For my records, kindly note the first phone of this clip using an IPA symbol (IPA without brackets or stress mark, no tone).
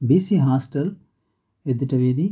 b